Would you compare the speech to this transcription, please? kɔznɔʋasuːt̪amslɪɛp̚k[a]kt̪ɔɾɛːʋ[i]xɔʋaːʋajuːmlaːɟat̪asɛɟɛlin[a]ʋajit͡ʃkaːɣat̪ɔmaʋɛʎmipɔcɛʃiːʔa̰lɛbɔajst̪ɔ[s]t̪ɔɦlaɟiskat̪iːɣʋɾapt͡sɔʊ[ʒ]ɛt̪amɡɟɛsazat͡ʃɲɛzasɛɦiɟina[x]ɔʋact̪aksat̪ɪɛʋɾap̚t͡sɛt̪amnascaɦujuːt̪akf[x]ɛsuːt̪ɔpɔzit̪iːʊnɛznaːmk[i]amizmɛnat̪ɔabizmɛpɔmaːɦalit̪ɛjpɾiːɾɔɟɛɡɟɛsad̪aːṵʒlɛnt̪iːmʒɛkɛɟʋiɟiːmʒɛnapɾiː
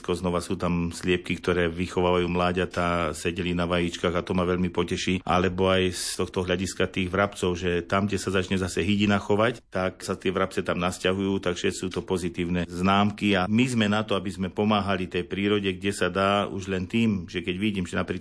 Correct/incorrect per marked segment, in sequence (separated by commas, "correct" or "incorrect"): incorrect, correct, correct, incorrect, correct, correct, incorrect, correct